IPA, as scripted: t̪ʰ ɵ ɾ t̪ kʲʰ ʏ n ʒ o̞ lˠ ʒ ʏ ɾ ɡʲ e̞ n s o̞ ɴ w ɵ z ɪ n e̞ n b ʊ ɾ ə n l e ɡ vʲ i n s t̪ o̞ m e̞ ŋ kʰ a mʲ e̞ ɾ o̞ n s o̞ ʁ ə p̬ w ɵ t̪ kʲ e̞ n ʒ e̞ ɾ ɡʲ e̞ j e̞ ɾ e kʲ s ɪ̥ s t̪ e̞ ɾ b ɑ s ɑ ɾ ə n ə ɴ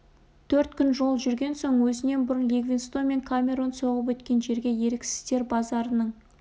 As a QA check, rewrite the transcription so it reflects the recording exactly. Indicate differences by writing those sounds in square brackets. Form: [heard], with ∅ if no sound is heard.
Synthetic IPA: t̪ʰ ɵ ɾ t̪ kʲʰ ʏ n ʒ o̞ lˠ ʒ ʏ ɾ ɡʲ e̞ n s o̞ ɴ w ɵ z ɪ n e̞ n b ʊ ɾ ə n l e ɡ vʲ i n s t̪ o̞ m e̞ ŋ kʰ a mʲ e̞ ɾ o̞ n s o̞ ʁ ə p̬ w ɵ t̪ kʲ e̞ n ʒ e̞ ɾ ɡʲ e̞ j e̞ ɾ e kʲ s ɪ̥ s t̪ e̞ ɾ b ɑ [z] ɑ ɾ ə n ə ɴ